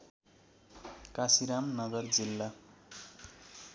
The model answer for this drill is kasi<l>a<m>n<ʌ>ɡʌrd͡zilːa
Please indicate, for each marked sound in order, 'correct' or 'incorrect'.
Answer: incorrect, correct, correct

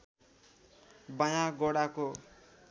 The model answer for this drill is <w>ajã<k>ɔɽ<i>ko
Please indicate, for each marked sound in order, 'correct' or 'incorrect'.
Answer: incorrect, incorrect, incorrect

